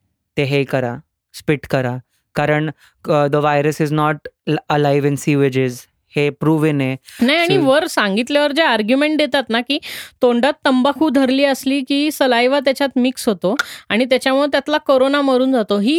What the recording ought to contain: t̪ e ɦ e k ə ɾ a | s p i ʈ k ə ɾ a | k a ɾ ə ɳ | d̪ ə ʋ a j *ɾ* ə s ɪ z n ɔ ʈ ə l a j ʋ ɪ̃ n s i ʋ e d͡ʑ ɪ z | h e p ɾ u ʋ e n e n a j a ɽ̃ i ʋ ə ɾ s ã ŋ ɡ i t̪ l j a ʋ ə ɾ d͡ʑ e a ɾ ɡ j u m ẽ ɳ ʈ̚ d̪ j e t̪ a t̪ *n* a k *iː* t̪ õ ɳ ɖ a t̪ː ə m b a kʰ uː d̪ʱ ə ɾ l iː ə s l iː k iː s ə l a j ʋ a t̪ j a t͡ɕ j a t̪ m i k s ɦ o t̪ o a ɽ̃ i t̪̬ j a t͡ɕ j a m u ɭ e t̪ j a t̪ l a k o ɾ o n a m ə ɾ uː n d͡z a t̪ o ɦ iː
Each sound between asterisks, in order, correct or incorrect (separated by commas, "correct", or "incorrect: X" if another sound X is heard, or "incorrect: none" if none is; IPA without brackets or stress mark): correct, correct, correct